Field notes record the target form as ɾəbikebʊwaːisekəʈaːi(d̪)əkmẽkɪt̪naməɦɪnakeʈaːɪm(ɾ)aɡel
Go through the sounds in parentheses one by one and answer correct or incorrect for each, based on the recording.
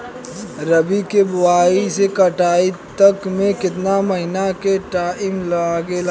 incorrect: t̪, incorrect: l

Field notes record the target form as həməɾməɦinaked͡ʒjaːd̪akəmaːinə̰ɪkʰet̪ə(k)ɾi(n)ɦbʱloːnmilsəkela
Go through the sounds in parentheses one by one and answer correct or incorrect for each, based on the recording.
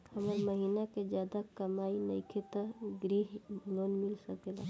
incorrect: ɡ, incorrect: none

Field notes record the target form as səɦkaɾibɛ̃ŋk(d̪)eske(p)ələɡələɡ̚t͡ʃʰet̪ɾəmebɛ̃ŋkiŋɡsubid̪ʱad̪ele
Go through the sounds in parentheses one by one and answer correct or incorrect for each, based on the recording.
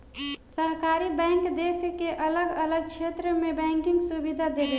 correct, incorrect: ʔ

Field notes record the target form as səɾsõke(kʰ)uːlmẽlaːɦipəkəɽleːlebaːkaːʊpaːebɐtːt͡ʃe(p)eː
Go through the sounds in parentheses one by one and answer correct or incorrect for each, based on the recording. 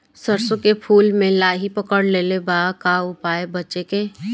incorrect: pʰ, incorrect: k

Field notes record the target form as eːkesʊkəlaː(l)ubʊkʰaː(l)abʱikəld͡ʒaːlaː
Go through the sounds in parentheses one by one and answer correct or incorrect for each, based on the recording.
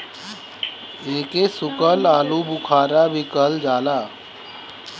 correct, incorrect: ɾ

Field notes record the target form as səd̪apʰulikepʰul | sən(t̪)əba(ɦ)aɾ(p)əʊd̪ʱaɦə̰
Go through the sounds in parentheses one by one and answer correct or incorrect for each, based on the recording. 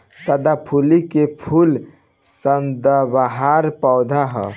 incorrect: d̪, correct, correct

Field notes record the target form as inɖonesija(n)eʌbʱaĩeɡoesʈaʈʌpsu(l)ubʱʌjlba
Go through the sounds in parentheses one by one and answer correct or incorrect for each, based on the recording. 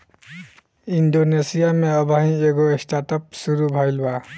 incorrect: m, incorrect: ɾ

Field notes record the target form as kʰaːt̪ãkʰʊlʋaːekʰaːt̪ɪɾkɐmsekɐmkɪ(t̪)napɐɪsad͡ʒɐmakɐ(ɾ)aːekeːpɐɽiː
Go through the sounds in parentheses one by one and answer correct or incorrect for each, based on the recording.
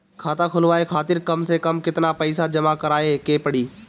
correct, correct

